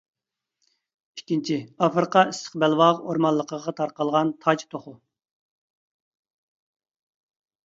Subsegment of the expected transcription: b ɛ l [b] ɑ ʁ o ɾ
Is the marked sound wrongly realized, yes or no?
yes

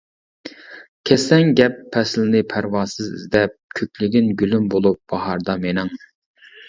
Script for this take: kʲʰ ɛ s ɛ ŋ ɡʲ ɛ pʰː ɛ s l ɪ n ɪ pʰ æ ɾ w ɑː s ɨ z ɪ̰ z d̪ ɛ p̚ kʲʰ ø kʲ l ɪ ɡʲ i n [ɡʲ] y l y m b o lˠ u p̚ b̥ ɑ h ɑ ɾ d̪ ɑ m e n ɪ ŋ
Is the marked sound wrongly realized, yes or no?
no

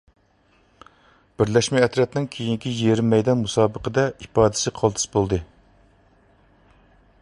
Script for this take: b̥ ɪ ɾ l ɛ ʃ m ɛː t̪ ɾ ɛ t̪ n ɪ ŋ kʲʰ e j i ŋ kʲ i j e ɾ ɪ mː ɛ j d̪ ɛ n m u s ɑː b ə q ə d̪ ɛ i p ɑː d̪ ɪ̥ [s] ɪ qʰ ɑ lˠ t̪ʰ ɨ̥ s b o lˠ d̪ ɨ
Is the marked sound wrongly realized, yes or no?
no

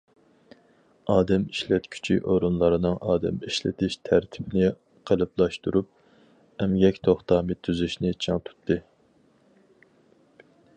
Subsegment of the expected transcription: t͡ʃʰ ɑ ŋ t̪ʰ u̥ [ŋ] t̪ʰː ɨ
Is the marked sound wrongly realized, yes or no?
yes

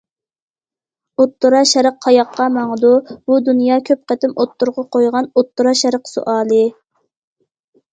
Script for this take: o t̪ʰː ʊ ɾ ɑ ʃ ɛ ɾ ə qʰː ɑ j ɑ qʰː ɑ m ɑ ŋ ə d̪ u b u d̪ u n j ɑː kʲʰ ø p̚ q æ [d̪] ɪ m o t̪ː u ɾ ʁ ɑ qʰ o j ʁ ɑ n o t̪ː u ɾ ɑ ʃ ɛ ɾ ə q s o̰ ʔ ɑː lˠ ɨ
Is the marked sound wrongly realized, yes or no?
yes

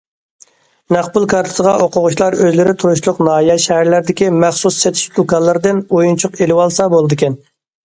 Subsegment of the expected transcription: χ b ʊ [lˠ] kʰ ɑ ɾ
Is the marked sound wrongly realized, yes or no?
no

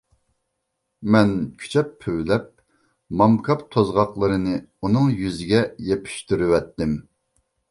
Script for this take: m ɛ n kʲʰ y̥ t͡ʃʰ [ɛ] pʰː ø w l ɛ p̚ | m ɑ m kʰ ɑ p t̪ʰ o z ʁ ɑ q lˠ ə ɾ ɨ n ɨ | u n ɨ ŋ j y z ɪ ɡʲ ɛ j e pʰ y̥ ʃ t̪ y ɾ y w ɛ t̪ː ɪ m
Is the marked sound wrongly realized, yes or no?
no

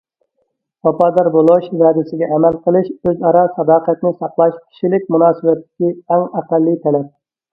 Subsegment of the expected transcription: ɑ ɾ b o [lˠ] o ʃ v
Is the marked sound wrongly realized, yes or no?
no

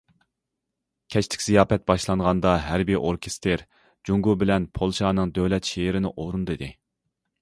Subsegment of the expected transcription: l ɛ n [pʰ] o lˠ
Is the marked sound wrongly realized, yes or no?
no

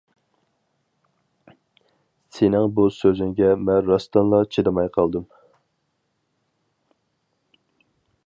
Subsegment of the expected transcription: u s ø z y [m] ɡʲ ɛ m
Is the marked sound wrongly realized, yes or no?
yes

